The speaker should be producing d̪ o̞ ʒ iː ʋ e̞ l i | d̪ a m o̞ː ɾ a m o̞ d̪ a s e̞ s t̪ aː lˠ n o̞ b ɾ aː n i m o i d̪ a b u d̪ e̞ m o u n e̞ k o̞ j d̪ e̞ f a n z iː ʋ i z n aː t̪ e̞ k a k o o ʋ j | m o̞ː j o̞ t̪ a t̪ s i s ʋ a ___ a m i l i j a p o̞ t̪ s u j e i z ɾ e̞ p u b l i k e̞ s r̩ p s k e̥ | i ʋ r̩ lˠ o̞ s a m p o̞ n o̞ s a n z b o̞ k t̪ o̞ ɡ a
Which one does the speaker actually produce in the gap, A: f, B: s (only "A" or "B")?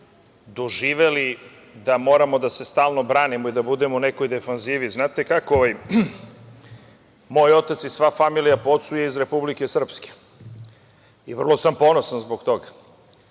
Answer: A